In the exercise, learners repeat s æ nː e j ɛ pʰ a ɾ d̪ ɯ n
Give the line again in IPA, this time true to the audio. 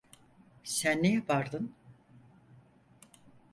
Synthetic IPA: s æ nː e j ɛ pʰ a ɾ d̪ ɯ n